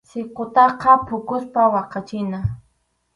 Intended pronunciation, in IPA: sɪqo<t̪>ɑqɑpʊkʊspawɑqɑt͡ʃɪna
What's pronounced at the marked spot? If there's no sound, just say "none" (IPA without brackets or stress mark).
t̪